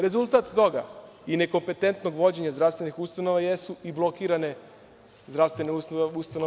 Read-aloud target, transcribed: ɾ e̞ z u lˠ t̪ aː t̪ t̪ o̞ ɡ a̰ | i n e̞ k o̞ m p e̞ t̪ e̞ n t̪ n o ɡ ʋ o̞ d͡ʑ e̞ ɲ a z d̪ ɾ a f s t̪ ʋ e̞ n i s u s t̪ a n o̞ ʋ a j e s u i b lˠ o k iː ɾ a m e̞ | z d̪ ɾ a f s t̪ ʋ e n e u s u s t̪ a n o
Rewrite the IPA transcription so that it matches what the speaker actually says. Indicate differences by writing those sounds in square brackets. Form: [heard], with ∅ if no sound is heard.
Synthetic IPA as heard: ɾ e̞ z u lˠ t̪ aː t̪ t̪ o̞ ɡ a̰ | i n e̞ k o̞ m p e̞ t̪ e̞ n t̪ n o ɡ ʋ o̞ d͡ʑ e̞ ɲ a z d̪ ɾ a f s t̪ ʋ e̞ n i [x] u s t̪ a n o̞ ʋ a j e s u i b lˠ o k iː ɾ a [n] e̞ | z d̪ ɾ a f s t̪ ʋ e n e u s u s t̪ a n o